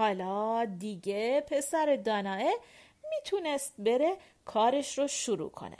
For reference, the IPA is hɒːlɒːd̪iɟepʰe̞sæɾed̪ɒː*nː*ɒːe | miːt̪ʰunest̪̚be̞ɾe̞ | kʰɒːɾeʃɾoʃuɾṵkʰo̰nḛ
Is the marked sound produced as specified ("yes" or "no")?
no